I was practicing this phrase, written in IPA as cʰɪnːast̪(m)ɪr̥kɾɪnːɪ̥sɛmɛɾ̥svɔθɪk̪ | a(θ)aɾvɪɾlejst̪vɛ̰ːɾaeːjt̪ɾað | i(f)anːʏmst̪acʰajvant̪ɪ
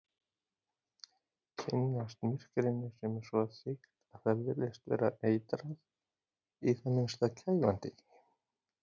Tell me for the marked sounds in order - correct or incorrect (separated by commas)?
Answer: correct, correct, incorrect